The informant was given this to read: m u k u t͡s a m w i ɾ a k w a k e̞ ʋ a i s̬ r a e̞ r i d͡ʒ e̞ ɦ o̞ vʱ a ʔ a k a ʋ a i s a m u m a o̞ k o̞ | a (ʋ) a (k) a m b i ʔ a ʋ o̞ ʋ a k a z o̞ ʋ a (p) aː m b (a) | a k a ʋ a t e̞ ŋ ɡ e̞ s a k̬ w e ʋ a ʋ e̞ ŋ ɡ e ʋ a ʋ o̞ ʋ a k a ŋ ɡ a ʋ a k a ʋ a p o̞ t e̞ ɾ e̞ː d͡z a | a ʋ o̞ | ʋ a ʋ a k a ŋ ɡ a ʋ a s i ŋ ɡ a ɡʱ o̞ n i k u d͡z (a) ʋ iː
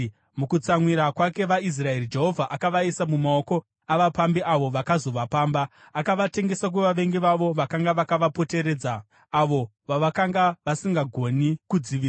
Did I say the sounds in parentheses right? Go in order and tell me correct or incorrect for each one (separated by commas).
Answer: correct, incorrect, correct, correct, incorrect